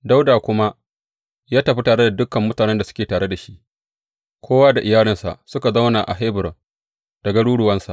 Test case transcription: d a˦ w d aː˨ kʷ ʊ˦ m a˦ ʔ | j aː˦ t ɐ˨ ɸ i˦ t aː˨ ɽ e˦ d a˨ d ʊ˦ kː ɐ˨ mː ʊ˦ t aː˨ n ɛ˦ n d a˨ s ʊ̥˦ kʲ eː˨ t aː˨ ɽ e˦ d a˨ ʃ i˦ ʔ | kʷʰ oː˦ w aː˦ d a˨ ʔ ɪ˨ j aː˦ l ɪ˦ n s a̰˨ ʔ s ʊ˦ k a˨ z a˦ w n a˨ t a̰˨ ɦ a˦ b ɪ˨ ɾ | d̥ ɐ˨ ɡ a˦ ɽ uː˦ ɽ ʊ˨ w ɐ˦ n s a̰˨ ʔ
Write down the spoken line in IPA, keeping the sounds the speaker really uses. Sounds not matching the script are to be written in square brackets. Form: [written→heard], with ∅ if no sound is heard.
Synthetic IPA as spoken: d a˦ w d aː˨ kʷ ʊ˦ m a˦ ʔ | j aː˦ t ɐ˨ ɸ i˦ t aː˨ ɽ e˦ d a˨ d ʊ˦ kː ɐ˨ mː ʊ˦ t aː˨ n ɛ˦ n d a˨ s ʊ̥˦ kʲ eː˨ t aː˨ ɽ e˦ d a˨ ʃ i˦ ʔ | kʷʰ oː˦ w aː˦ d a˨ ʔ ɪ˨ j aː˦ l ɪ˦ n s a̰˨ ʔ s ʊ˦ k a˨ z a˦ w n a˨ [t→ʔ] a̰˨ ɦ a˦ b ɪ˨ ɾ | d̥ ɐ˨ ɡ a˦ ɽ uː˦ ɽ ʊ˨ w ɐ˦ n s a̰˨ ʔ